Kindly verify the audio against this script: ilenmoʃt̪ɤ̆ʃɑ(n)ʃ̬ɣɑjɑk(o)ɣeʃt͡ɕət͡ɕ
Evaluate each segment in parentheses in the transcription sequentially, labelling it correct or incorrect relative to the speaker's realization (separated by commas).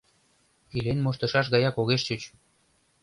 incorrect, correct